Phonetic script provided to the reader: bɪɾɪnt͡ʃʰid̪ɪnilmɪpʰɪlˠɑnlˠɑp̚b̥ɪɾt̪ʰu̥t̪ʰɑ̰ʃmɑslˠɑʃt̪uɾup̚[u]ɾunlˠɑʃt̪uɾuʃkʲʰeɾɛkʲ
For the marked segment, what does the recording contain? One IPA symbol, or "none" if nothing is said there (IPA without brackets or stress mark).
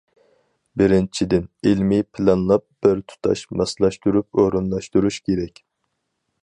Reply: o